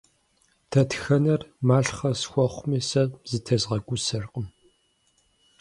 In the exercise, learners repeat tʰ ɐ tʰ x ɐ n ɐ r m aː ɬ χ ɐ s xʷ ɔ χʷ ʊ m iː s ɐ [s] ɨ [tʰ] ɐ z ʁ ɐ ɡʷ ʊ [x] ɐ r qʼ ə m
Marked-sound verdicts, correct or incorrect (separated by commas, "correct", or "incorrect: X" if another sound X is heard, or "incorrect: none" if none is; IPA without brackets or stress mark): incorrect: z, correct, incorrect: s